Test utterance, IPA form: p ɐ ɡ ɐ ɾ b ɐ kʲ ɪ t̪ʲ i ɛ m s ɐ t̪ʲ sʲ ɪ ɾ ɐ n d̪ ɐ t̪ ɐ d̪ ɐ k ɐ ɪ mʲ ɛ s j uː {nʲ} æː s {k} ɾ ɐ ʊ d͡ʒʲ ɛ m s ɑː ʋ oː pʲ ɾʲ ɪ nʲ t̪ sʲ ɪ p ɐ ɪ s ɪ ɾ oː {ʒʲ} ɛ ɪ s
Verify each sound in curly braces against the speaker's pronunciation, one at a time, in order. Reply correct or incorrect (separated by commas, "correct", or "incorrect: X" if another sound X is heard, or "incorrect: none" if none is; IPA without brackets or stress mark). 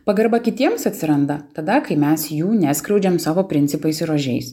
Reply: correct, correct, correct